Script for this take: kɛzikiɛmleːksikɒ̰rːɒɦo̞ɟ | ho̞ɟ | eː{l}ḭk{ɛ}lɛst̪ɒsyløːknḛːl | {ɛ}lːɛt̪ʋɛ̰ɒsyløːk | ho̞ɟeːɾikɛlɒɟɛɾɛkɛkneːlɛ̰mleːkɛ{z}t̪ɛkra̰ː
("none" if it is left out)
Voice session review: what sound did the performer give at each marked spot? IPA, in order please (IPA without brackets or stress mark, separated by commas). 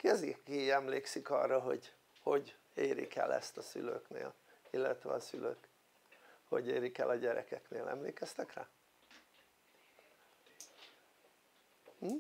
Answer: ɾ, ɛ, i, s